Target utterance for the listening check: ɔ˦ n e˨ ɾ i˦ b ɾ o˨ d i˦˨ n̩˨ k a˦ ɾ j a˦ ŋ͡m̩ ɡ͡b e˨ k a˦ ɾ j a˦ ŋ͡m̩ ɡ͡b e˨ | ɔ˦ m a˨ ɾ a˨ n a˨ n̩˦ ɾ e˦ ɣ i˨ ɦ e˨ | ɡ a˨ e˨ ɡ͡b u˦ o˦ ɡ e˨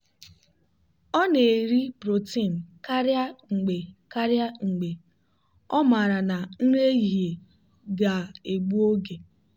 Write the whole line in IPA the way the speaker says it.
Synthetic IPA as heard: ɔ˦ n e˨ ɾ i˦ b ɾ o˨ t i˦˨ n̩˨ k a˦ ɾ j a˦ ŋ͡m̩ ɡ͡b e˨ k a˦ ɾ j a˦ ŋ͡m̩ ɡ͡b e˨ | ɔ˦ m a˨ ɾ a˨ n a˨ n̩˦ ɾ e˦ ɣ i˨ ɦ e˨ | ɡ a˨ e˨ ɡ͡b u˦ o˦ ɡ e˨